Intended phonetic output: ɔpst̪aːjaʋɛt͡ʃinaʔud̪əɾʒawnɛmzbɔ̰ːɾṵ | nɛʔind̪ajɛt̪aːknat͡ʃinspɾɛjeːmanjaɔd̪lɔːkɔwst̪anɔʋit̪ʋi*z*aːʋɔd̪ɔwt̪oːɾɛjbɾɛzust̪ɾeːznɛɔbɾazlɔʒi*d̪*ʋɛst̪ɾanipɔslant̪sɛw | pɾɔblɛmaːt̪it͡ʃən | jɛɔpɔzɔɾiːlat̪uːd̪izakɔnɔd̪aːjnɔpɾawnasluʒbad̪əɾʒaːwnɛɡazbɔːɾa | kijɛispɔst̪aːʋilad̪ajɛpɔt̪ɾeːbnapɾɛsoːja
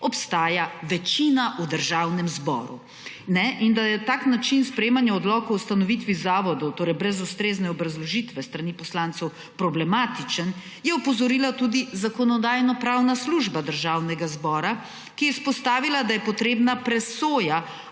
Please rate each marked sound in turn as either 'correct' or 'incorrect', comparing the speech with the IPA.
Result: correct, incorrect

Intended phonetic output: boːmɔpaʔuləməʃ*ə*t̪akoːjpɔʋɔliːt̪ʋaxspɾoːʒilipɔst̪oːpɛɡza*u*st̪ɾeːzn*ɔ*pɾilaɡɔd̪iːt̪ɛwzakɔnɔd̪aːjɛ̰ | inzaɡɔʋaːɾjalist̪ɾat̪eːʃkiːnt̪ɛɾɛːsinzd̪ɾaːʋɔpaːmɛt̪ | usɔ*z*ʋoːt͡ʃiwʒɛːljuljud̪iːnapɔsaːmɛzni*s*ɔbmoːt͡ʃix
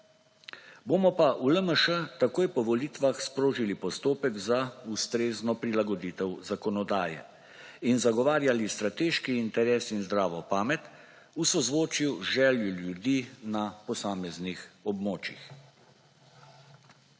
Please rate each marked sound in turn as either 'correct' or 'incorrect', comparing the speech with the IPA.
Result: correct, correct, correct, correct, incorrect

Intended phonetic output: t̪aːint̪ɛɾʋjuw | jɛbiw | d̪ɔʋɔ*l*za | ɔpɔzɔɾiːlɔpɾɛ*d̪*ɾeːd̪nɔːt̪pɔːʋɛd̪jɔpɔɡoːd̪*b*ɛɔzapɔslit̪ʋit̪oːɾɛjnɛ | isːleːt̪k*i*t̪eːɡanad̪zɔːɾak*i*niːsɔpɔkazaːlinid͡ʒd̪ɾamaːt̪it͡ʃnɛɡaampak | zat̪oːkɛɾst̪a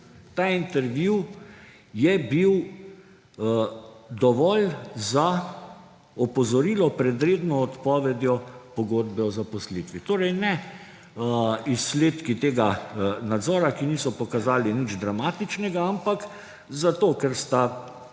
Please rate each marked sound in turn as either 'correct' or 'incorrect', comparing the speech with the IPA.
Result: correct, correct, correct, correct, correct

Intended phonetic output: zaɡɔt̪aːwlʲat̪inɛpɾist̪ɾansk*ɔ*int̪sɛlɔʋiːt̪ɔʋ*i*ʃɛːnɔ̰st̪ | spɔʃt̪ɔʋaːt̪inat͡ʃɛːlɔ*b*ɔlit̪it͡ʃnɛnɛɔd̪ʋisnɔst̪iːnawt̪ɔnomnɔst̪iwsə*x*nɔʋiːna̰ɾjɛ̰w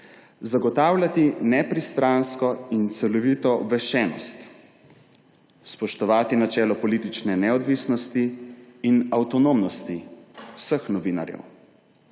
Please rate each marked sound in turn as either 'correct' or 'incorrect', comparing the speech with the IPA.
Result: correct, incorrect, incorrect, correct

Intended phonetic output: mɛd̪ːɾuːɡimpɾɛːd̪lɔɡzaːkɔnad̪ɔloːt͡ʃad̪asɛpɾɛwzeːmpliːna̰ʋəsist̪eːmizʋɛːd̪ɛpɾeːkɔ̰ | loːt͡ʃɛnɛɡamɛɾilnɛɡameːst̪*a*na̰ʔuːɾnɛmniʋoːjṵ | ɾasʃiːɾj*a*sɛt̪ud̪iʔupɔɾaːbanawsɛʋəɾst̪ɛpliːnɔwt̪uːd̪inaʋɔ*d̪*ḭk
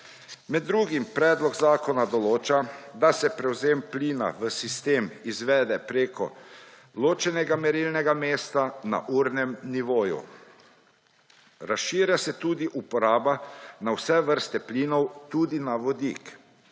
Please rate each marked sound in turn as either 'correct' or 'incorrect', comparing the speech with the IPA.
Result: correct, correct, correct

